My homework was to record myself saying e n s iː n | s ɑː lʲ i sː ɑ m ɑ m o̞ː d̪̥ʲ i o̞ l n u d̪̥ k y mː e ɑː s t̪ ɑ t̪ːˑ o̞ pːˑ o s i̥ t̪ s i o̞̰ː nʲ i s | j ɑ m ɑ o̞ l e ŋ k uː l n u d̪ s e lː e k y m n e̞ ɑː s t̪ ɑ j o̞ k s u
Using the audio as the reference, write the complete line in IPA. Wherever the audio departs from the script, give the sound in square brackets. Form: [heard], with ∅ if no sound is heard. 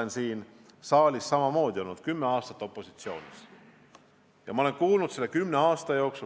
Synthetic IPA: e n s iː n | s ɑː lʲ i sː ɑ m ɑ m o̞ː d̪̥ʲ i o̞ l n u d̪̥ k y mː e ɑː s t̪ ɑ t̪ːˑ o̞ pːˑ o s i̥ t̪ s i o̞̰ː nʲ i s | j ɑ m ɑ o̞ l e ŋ k uː l n u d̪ s e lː e k y m n e̞ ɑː s t̪ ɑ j o̞ k s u